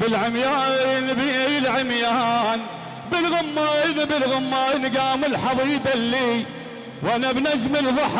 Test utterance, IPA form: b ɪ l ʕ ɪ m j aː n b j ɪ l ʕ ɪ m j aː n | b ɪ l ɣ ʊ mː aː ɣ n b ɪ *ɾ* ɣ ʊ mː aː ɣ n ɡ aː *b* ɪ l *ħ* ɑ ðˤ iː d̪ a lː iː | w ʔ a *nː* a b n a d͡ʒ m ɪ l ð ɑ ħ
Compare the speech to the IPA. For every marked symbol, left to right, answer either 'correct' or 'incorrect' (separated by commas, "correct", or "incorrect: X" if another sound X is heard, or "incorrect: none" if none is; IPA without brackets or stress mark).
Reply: incorrect: l, incorrect: m, correct, incorrect: n